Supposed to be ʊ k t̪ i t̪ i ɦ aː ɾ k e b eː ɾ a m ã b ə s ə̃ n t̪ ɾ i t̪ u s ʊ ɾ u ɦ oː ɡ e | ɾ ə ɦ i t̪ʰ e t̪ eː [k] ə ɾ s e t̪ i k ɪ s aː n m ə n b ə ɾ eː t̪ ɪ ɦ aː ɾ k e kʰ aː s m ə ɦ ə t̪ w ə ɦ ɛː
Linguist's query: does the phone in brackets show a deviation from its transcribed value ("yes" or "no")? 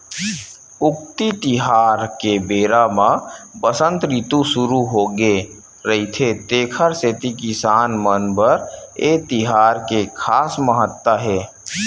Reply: yes